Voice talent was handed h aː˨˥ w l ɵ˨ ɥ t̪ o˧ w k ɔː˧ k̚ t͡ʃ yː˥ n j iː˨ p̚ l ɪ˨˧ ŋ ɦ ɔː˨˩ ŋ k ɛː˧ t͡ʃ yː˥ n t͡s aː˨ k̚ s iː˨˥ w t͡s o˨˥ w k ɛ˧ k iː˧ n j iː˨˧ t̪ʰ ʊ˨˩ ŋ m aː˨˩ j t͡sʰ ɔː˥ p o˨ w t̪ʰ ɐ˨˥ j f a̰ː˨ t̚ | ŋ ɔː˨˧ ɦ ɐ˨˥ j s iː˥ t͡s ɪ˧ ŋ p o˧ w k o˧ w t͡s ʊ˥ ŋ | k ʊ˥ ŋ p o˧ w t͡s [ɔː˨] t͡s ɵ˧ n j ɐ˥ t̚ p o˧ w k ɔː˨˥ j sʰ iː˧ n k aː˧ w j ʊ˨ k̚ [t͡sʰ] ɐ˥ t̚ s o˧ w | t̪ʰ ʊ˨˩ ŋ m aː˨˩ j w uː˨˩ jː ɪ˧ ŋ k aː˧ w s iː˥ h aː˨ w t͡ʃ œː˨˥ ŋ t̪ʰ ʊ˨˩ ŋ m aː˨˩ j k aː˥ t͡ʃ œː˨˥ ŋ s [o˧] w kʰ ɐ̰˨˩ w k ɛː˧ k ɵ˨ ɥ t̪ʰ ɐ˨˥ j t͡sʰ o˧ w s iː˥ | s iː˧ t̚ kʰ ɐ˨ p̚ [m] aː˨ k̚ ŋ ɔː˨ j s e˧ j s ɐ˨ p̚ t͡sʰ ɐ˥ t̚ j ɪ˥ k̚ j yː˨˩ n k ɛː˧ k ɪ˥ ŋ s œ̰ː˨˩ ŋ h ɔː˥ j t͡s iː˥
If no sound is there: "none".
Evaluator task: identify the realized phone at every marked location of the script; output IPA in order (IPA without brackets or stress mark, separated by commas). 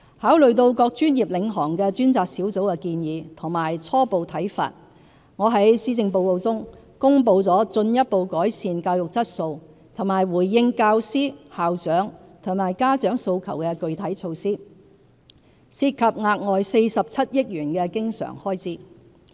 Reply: ɔː˨˥, t͡s, o˧, ŋ